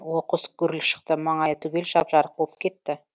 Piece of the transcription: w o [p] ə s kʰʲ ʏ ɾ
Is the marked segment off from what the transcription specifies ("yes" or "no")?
yes